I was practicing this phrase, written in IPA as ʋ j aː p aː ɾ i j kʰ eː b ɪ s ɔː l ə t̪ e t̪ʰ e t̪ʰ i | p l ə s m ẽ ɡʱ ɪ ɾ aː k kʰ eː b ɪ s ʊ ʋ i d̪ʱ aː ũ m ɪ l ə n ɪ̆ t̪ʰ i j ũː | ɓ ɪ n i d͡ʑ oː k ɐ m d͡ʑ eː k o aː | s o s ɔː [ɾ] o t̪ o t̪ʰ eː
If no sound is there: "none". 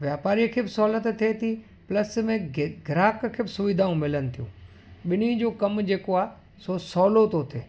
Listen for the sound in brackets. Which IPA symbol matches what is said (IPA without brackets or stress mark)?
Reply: l